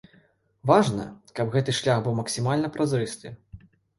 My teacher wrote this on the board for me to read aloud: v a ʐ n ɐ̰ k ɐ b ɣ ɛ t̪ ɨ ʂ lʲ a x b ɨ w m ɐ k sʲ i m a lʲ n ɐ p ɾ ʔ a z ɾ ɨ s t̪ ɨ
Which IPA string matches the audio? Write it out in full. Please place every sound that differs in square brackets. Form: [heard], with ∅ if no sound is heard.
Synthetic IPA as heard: v a ʐ n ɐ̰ k ɐ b ɣ ɛ t̪ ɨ ʂ lʲ a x b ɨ w m ɐ k sʲ i m a lʲ n ɐ p ɾ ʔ a z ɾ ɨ s t̪ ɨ